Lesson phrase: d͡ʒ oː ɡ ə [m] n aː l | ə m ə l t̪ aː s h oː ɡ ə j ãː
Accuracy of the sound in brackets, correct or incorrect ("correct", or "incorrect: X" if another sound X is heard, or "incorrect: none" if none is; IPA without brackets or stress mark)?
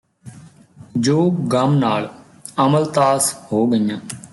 correct